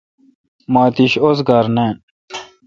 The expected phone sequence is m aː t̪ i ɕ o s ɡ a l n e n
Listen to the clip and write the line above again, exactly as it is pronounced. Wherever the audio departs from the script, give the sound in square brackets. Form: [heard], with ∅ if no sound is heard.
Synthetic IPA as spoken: m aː t̪ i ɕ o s ɡ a [ɾ] n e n